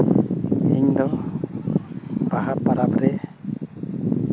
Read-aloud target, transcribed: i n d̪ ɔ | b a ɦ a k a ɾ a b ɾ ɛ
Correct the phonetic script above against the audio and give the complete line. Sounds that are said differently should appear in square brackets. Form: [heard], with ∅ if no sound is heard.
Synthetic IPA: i [ɲ] d̪ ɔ | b a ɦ a [p] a ɾ a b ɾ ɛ